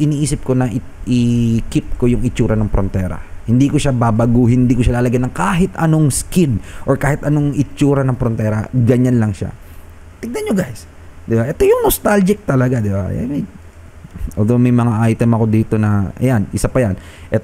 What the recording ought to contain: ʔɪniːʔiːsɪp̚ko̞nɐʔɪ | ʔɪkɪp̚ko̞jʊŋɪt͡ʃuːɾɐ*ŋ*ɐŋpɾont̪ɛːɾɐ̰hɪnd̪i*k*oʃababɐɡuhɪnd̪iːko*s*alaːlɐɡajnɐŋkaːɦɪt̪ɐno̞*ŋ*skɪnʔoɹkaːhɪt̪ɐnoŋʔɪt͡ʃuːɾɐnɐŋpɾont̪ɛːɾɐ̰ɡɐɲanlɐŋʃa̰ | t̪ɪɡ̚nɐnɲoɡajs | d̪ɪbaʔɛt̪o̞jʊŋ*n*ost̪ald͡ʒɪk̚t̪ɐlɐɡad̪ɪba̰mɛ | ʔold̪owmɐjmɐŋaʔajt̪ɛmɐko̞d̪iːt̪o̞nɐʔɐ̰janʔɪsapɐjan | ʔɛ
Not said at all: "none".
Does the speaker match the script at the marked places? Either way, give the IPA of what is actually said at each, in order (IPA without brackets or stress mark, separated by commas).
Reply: n, k, ʃ, ŋ, n